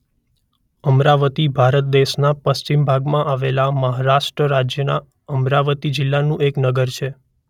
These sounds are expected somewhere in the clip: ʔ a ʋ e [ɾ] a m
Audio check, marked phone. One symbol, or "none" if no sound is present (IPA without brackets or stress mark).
l